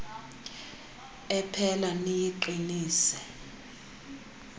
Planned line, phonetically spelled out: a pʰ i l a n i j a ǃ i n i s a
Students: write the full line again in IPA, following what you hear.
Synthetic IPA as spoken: ɛ pʰ ɛ l a n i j i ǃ i n iː s ɛ

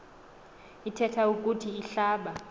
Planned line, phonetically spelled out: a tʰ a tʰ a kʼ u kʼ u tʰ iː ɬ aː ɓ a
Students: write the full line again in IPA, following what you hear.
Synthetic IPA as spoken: i tʰ ɛ tʰ a u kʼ u tʰ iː ɬ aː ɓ a

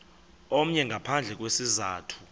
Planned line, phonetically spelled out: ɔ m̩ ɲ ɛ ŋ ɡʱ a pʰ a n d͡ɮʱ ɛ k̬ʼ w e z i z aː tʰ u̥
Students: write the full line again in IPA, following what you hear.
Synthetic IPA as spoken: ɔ m̩ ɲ ɛ ŋ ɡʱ a pʰ a n d͡ɮʱ ɛ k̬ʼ w e s i z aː tʰ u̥

